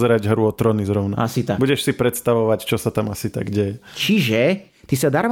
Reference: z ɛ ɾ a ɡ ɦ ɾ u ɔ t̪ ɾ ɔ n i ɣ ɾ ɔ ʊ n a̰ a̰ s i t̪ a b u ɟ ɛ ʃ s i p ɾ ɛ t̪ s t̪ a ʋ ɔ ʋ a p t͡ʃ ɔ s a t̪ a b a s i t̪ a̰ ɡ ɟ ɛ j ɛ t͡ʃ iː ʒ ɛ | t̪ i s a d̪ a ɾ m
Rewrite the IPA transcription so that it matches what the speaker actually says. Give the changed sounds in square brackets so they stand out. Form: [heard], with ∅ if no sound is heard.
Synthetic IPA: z ɛ ɾ a [ɟ] ɦ ɾ u ɔ t̪ ɾ ɔ n i [z] ɾ ɔ ʊ n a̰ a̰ s i t̪ a b u ɟ ɛ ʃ s i p ɾ ɛ t̪ s t̪ a ʋ ɔ ʋ a [c] t͡ʃ ɔ s a t̪ a [m] a s i t̪ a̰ ɡ ɟ ɛ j ɛ t͡ʃ [i] ʒ ɛ | t̪ i s a d̪ a ɾ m